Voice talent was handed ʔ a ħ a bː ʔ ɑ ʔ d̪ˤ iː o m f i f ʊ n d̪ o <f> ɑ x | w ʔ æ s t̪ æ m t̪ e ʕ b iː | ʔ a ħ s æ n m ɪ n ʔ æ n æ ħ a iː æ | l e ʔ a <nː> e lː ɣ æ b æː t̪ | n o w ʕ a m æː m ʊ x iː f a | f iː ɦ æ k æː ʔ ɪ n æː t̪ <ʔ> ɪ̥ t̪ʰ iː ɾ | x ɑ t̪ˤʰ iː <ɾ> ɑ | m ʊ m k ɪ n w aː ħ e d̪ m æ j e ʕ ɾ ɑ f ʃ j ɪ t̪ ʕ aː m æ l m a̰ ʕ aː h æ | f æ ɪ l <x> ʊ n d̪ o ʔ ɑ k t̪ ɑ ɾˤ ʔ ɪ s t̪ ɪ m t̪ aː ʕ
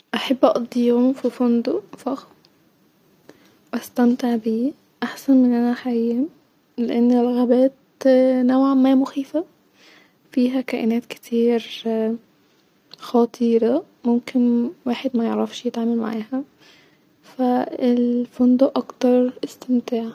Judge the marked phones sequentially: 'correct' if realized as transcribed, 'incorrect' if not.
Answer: correct, correct, incorrect: k, correct, incorrect: f

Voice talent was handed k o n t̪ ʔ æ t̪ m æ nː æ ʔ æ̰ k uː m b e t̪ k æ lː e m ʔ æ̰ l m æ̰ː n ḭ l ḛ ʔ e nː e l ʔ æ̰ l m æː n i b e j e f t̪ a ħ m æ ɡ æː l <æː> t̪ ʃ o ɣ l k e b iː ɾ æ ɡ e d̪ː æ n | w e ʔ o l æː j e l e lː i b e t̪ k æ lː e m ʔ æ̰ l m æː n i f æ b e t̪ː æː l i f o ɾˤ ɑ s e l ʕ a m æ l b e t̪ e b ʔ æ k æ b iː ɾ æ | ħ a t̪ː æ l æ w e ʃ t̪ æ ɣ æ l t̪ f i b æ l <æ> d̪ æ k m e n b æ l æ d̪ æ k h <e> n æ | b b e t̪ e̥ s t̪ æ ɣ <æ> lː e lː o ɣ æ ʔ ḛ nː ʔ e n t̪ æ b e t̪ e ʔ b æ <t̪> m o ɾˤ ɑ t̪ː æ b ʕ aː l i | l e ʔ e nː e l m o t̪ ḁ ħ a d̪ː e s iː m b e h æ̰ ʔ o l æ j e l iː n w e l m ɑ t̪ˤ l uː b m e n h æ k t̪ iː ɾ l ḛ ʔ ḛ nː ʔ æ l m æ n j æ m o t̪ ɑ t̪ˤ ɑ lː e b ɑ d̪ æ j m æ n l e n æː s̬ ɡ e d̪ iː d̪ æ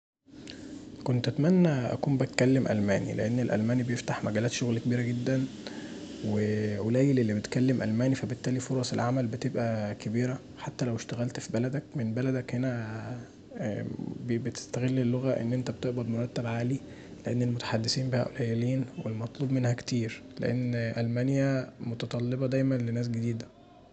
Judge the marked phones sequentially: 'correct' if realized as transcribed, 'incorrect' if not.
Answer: correct, correct, correct, incorrect: e, incorrect: d̪

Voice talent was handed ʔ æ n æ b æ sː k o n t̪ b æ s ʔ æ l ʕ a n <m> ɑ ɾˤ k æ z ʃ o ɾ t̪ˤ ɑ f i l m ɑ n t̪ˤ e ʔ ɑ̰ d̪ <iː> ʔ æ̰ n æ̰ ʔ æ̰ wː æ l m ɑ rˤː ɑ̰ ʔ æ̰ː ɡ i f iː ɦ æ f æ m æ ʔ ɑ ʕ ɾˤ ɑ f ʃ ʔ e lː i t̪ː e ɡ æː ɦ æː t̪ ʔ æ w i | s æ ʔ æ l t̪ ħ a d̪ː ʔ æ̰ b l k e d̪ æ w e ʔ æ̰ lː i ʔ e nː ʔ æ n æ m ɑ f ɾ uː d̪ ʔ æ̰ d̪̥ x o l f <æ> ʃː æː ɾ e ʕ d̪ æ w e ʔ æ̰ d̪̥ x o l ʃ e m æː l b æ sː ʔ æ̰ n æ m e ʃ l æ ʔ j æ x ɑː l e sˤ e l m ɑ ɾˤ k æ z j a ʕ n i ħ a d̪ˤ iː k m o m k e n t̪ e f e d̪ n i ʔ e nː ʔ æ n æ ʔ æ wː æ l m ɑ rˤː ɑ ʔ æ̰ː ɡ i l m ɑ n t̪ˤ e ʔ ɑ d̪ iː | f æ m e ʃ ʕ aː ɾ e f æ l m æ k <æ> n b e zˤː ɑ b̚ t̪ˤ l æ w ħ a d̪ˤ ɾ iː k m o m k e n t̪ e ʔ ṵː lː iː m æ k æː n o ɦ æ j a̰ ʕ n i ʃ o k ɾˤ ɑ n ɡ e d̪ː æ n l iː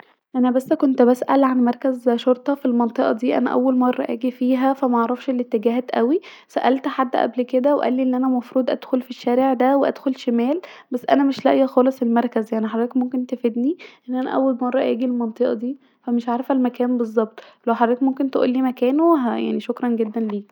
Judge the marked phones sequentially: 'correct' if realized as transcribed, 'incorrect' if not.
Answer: correct, correct, incorrect: i, incorrect: æː

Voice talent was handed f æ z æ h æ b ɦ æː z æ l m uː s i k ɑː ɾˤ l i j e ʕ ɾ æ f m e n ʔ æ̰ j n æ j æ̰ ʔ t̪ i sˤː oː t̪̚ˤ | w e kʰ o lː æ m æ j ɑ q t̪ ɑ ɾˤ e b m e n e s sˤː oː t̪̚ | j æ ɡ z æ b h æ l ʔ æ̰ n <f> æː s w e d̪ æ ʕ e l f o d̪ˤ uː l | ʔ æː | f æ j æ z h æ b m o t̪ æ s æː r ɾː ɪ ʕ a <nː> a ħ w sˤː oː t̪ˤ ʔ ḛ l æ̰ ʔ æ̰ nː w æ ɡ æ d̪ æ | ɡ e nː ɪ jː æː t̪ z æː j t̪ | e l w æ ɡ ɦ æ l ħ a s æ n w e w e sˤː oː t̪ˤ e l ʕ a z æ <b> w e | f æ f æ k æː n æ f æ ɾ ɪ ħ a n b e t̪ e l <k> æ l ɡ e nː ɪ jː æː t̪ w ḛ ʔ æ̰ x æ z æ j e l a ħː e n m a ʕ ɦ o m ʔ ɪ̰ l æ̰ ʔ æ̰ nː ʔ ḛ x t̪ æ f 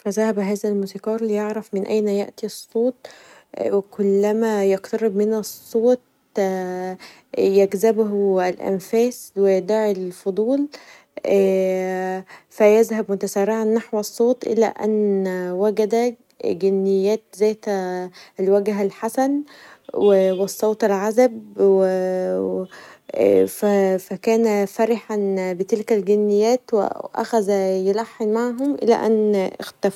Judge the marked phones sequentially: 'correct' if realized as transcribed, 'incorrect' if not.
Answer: correct, correct, correct, correct

